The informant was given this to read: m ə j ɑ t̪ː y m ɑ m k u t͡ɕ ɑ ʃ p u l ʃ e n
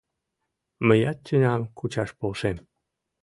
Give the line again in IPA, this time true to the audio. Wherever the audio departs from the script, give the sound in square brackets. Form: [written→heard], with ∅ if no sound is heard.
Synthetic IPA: m ə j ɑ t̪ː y [m→n] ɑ m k u t͡ɕ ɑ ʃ p [u→o] l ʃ e [n→m]